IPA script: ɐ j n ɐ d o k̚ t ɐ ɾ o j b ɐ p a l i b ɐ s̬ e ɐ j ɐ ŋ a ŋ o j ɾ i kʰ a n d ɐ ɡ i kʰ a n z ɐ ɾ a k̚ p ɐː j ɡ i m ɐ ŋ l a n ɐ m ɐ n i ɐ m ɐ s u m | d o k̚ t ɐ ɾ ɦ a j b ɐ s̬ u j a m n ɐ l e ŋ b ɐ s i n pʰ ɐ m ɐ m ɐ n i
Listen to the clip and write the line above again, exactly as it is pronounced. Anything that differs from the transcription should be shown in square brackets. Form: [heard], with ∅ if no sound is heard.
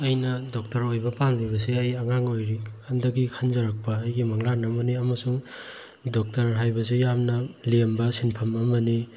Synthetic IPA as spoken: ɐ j n ɐ d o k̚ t ɐ ɾ o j b ɐ p a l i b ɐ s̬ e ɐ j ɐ ŋ a ŋ o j ɾ i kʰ a n d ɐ ɡ i kʰ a n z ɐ ɾ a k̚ p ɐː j ɡ i m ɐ ŋ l a n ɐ m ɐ n i ɐ m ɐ s u [ŋ] | d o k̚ t ɐ ɾ ɦ a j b ɐ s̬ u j a m n ɐ l e [m] b ɐ s i n pʰ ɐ m ɐ m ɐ n i